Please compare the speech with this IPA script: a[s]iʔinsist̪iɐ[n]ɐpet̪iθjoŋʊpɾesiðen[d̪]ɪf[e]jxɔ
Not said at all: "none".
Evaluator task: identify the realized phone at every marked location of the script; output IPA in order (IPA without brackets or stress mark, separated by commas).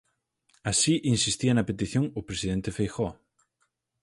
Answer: s, n, t̪, e